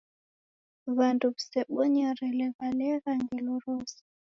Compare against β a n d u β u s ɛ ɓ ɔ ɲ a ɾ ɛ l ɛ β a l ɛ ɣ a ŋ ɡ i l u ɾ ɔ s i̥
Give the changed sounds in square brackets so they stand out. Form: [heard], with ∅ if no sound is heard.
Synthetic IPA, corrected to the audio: β a n d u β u s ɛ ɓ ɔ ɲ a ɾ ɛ l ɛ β a l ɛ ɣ a ŋ ɡ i l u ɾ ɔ s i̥